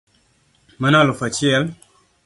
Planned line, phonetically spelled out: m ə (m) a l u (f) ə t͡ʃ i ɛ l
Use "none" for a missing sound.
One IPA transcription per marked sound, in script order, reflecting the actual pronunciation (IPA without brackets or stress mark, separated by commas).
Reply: n, f